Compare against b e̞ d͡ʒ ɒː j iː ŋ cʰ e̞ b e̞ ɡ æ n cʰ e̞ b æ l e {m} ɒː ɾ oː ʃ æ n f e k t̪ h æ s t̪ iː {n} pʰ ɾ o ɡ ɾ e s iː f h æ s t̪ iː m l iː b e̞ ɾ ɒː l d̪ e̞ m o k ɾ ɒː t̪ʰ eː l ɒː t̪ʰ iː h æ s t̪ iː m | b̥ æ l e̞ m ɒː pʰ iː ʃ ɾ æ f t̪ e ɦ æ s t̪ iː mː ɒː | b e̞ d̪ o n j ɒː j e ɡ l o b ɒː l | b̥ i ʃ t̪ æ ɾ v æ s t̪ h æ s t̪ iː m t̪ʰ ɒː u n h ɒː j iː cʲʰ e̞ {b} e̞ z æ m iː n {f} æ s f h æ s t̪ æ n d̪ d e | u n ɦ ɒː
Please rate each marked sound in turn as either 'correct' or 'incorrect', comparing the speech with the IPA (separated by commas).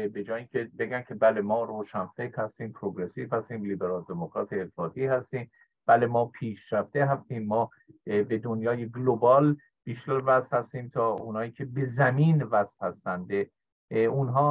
correct, incorrect, correct, incorrect